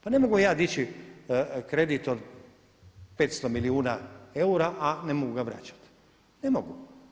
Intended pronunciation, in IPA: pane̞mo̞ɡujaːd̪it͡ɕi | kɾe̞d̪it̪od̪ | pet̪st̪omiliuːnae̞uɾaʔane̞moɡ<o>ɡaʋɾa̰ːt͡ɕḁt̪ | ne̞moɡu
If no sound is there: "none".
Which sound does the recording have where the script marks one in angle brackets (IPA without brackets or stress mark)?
u